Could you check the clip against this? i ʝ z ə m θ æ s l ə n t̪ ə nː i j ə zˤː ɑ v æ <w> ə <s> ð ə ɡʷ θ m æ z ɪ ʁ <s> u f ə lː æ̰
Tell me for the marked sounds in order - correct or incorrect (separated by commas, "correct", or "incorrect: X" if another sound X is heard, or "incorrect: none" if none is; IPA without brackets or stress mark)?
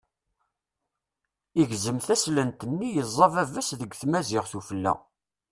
incorrect: v, correct, incorrect: θ